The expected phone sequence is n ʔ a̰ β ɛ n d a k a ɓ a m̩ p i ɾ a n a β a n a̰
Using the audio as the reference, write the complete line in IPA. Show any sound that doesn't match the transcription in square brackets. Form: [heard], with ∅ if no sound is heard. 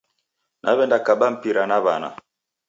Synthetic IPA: n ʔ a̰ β ɛ n d a k a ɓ a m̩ p i ɾ a n a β a n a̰